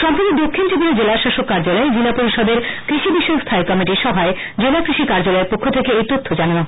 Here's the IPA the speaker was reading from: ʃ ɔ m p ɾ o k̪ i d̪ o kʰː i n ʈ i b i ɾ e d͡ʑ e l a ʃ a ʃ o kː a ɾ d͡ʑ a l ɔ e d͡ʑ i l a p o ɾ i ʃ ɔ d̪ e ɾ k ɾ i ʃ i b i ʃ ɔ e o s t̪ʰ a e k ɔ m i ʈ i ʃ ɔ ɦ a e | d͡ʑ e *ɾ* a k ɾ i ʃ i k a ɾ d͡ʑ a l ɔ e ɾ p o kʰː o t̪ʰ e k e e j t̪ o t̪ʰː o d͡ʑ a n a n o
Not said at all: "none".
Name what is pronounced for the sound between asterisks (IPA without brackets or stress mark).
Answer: l